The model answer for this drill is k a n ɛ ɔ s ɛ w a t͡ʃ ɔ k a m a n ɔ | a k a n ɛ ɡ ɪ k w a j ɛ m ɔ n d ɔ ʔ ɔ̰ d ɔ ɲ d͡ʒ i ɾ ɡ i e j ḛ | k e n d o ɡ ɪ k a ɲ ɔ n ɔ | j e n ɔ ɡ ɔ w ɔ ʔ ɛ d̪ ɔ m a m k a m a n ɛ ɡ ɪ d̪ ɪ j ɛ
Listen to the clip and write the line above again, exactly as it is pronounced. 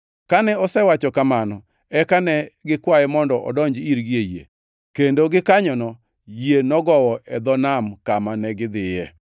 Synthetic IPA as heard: k a n ɛ ɔ s ɛ w a t͡ʃ ɔ k a m a n ɔ | ɛ k a n ɛ ɡ ɪ k w a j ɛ m ɔ n d ɔ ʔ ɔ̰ d ɔ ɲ d͡ʒ i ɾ ɡ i e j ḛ | k e n d o ɡ ɪ k a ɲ ɔ n ɔ | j e n ɔ ɡ ɔ w ɔ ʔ ɛ d̪ ɔ n a m k a m a n ɛ ɡ ɪ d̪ ɪ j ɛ